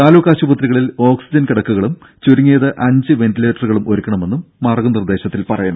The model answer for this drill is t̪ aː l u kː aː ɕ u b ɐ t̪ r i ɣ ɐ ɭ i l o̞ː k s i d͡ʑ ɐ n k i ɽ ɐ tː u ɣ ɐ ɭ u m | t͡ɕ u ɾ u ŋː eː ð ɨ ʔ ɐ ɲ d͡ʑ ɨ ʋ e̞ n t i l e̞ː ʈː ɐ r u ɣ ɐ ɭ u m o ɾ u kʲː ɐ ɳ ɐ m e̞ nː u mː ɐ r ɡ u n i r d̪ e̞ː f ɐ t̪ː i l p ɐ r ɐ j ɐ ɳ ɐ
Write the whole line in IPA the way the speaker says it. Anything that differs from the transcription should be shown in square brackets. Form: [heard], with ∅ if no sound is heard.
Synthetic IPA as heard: t̪ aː l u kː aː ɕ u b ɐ t̪ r i ɣ ɐ ɭ i l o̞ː k s i d͡ʑ ɐ n k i ɽ ɐ [kː] u ɣ ɐ ɭ u m | t͡ɕ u ɾ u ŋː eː ð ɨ ʔ ɐ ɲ d͡ʑ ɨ ʋ e̞ n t i l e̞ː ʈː ɐ r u ɣ ɐ ɭ u m o ɾ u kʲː ɐ ɳ ɐ m e̞ nː u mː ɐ r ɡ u n i r d̪ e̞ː [ɕ] ɐ t̪ː i l p ɐ r ɐ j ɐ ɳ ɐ

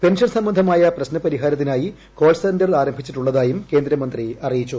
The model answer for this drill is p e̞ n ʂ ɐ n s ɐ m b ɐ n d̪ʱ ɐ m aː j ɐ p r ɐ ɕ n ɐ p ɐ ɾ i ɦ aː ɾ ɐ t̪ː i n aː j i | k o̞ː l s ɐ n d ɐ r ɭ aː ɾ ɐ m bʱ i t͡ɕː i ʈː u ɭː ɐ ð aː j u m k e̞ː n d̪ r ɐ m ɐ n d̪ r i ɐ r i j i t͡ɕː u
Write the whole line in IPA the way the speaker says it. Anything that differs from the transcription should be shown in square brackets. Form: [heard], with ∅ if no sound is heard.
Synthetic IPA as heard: p e̞ n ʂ ɐ n s ɐ m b ɐ n d̪ʱ ɐ m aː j ɐ p r ɐ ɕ n ɐ p ɐ ɾ i ɦ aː ɾ ɐ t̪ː i n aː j i | k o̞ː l s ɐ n d ɐ r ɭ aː ɾ ɐ m bʱ i t͡ɕː i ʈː u ɭː ɐ ð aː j u m k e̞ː n d̪ [ɾ] ɐ m ɐ n d̪ r i ɐ r i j i t͡ɕː u

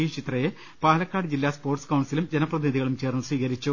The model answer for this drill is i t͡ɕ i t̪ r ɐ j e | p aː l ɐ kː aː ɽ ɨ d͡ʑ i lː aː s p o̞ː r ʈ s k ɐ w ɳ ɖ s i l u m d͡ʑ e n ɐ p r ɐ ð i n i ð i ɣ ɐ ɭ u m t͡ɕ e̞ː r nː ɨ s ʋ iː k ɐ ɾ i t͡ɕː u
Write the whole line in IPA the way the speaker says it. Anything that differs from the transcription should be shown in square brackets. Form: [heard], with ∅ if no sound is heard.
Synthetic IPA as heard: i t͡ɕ i t̪ r ɐ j e | p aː l ɐ kː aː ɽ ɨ d͡ʑ i lː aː s p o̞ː r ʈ s k ɐ w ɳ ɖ s i l u m d͡ʑ e n ɐ p r ɐ ð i n i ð i ɣ ɐ ɭ u m t͡ɕ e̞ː r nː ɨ s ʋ iː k ɐ ɾ i t͡ɕː u

